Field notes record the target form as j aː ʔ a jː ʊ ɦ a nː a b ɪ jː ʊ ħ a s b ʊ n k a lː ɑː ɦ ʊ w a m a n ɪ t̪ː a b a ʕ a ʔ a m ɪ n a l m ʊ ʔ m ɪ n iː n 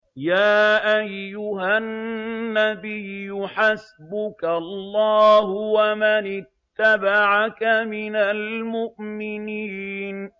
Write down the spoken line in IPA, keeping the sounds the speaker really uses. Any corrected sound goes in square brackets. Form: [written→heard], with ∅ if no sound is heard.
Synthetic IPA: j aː ʔ a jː ʊ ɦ a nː a b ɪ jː ʊ ħ a s b ʊ [n→∅] k a lː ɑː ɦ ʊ w a m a n ɪ t̪ː a b a ʕ a [ʔ→k] a m ɪ n a l m ʊ ʔ m ɪ n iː n